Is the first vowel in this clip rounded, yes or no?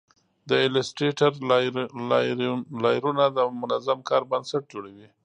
no